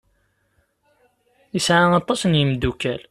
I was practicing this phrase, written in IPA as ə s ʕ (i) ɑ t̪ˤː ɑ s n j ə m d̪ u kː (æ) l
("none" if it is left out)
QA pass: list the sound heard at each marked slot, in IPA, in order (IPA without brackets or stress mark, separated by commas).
a, æ